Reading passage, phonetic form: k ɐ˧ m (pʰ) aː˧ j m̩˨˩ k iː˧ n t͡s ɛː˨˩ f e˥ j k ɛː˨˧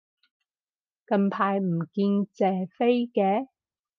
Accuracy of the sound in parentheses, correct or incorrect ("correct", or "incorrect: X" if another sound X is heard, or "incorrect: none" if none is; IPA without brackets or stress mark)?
correct